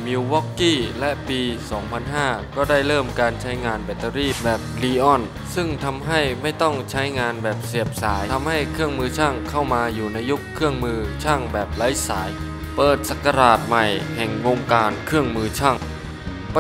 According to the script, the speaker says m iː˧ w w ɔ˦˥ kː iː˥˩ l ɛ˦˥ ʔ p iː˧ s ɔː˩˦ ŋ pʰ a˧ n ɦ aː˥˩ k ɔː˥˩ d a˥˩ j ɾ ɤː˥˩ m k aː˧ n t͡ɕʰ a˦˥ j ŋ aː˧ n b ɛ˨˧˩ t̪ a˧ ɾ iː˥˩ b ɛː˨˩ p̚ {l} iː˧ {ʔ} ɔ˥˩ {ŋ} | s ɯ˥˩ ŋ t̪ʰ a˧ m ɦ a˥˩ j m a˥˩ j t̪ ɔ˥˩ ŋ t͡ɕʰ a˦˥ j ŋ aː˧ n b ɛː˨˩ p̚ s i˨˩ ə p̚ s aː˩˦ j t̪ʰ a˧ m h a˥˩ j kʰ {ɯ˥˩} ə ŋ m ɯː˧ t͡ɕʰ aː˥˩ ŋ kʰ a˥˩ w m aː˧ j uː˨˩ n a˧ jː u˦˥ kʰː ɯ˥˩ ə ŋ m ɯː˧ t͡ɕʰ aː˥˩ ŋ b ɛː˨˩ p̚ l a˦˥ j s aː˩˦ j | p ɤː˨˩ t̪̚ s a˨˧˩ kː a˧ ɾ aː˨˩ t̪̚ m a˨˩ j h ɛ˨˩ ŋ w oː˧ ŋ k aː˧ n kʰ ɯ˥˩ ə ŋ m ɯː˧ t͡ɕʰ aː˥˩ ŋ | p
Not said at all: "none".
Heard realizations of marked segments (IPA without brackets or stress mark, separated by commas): l, ʔ, n, ɯ˥˩